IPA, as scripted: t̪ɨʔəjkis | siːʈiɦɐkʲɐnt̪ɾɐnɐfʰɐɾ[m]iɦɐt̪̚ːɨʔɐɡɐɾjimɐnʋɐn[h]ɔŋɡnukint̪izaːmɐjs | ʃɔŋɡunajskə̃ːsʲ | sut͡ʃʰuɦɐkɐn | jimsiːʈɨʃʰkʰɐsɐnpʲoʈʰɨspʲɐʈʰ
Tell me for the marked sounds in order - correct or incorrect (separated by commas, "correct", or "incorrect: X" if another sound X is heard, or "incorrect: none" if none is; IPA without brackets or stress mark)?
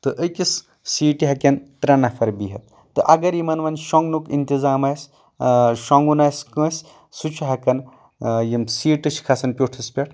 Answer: incorrect: b, incorrect: ʃ